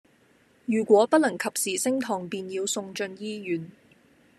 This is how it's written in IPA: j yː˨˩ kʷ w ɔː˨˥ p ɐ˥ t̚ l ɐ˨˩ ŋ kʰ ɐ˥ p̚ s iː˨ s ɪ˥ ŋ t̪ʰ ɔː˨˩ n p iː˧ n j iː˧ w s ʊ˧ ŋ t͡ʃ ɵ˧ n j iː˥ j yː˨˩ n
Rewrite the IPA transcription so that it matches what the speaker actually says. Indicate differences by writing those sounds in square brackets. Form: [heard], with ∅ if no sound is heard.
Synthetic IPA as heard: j yː˨˩ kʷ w ɔː˨˥ p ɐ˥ t̚ l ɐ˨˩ ŋ kʰ [ɐ˨] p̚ s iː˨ s ɪ˥ ŋ t̪ʰ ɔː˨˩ [ŋ] p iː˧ n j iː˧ w s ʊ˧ ŋ t͡ʃ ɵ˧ n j iː˥ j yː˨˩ n